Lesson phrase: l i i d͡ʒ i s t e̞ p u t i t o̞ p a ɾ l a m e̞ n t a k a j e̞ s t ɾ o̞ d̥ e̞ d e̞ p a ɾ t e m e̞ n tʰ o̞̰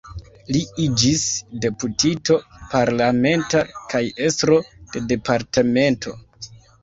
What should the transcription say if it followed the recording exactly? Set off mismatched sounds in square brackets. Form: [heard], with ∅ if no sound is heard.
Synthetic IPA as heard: l i i d͡ʒ i s [d] e̞ p u t i t o̞ p a ɾ l a m e̞ n t a k a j e̞ s t ɾ o̞ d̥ e̞ d e̞ p a ɾ t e m e̞ n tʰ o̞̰